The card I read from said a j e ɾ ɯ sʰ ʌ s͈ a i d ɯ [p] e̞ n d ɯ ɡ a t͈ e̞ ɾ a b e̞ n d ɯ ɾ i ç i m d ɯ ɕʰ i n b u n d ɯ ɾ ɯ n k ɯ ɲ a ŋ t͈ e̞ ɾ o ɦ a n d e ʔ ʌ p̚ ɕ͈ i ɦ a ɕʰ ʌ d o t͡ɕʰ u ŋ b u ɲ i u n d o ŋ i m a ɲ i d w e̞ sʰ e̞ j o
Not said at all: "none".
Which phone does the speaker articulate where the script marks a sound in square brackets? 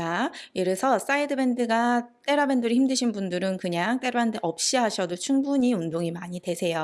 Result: b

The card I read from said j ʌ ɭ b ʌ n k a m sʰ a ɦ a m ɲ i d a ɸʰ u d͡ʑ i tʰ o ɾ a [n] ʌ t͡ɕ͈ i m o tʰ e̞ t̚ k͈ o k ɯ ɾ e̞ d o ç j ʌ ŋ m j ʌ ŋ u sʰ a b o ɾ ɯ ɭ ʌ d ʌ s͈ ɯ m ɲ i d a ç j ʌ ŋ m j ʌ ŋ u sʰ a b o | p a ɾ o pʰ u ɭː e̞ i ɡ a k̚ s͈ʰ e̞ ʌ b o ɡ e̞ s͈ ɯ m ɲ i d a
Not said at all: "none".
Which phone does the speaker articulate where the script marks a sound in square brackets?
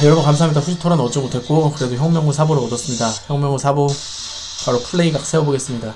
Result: n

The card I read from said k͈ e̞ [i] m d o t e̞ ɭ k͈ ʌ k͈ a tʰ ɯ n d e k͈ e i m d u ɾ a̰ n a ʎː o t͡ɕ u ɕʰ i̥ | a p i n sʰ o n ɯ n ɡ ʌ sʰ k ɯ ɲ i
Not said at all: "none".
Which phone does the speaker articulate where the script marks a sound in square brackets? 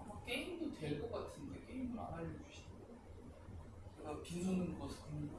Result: i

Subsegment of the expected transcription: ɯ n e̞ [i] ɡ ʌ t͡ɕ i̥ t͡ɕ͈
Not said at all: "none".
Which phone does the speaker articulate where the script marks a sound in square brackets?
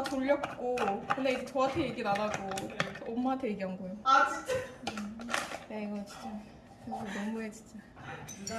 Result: i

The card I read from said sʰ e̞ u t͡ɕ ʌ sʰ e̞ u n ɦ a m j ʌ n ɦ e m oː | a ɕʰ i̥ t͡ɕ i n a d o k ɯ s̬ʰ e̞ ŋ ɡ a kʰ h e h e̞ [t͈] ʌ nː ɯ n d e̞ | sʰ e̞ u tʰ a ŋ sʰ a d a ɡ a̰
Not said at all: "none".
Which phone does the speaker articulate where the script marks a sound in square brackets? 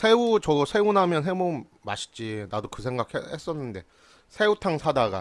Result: s͈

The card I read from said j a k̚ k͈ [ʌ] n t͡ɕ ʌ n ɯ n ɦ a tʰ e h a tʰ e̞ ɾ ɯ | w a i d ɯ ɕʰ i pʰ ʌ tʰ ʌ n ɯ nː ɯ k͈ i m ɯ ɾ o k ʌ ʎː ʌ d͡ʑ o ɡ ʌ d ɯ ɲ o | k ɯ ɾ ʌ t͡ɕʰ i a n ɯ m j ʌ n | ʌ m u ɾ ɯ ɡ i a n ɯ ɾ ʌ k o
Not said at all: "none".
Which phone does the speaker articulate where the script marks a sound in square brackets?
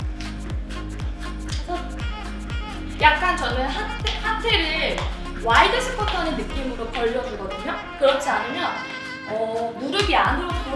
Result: a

